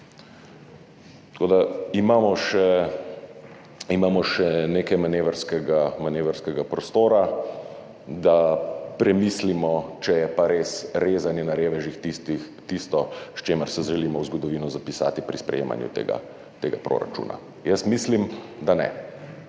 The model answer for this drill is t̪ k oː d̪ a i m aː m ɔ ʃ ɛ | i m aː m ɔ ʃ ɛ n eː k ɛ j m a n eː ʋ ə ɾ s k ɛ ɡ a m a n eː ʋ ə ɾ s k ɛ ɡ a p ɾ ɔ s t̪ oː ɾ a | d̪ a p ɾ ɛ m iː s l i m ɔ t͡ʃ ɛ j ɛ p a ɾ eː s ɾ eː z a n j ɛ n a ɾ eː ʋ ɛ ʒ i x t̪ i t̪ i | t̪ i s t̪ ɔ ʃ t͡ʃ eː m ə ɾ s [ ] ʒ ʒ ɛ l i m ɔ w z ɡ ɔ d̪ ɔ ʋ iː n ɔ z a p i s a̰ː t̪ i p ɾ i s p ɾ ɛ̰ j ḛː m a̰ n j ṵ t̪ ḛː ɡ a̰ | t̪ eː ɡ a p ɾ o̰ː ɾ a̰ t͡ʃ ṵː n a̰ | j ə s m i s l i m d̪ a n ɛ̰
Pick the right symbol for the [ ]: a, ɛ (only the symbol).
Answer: ɛ